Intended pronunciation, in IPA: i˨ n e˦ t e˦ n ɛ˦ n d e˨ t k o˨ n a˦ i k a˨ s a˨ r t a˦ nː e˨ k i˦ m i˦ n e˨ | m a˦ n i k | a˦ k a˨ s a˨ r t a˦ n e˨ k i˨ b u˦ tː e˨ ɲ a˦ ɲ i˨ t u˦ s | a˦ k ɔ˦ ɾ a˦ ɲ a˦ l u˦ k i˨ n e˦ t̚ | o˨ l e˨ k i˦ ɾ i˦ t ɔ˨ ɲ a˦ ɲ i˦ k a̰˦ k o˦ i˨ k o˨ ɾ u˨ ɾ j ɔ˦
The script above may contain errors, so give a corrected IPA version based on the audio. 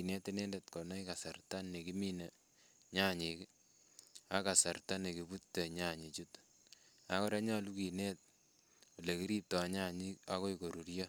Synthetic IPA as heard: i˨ n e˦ t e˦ n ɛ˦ n d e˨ t k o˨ n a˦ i k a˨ s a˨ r t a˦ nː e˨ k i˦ m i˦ n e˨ | ɲ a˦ ɲ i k | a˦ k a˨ s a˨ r t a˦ n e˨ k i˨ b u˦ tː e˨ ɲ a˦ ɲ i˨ t͡ʃ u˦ t | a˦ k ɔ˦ ɾ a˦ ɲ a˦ l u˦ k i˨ n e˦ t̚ | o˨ l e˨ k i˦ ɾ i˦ t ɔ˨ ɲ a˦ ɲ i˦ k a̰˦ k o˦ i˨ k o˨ ɾ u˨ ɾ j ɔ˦

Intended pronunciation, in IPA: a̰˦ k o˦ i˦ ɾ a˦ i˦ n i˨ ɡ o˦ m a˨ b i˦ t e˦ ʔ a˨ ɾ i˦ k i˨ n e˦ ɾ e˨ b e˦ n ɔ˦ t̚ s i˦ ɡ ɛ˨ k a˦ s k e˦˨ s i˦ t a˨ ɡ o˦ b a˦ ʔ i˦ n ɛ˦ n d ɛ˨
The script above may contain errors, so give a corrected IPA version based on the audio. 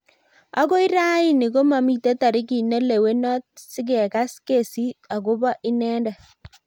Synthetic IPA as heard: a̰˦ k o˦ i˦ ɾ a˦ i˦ n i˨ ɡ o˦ m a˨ m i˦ t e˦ t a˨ ɾ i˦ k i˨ n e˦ l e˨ w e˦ n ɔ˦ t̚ s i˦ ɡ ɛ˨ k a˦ s k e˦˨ s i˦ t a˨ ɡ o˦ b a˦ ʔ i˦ n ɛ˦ n d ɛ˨

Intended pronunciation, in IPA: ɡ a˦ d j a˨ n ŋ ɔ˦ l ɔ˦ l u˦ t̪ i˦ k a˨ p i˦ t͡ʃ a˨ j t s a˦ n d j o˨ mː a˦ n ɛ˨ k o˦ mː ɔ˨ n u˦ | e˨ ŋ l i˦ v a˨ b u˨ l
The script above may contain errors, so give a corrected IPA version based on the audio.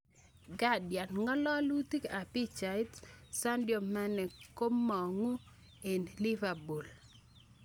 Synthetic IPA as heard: ɡ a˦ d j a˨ n ŋ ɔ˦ l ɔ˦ l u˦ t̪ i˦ k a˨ p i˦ t͡ʃ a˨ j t s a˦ n d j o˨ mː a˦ n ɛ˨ k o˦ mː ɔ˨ ŋ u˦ | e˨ n l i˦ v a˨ b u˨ l

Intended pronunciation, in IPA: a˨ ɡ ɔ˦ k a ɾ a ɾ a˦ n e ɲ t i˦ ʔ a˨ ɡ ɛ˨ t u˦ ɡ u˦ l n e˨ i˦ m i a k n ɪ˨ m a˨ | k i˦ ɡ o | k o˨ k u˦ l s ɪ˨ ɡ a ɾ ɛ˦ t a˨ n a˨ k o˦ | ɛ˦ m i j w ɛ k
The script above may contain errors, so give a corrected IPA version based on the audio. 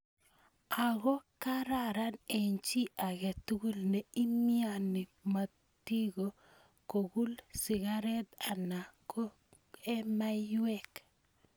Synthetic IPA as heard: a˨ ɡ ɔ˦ k a ɾ a ɾ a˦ n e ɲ t͡ʃ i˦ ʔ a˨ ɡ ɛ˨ t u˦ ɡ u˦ l n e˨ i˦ m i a n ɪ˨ m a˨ | t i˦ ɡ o | k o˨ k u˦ l s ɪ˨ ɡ a ɾ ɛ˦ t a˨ n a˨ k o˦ | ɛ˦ m a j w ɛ k

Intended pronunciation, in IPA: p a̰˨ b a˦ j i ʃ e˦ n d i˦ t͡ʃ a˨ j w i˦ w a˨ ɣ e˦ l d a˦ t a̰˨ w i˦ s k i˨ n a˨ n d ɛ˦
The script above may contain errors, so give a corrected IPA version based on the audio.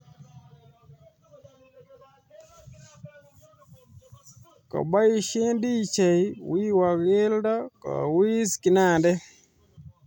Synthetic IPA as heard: k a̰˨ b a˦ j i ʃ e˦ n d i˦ t͡ʃ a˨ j w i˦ w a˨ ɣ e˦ l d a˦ k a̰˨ w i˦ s k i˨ n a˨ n d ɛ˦

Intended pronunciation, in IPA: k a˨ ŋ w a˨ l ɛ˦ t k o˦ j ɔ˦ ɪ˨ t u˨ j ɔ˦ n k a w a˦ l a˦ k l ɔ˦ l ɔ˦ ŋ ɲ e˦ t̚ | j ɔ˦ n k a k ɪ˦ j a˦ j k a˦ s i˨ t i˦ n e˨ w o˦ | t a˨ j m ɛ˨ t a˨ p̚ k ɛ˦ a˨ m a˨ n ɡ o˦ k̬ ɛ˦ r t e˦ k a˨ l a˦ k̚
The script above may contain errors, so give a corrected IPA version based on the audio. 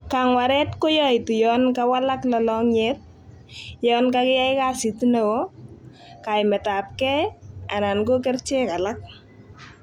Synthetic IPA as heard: k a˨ ŋ w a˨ ɾ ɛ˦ t k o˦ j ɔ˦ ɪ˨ t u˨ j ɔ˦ n k a w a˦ l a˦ k l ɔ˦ l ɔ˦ ŋ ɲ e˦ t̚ | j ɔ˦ n k a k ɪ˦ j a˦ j k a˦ s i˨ t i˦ n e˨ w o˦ | k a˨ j m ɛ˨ t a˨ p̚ k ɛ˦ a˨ n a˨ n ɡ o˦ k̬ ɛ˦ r t͡ʃ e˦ k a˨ l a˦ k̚

